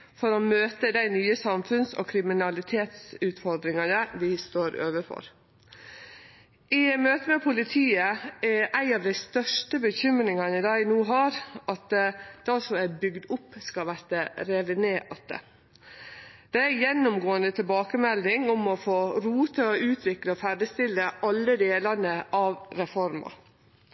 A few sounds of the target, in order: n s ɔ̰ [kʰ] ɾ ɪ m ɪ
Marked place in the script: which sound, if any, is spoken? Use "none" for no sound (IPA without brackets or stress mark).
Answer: kʰ